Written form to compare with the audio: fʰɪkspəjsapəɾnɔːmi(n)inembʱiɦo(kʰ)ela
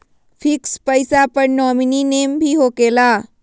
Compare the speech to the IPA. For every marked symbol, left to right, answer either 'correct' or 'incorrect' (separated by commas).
correct, incorrect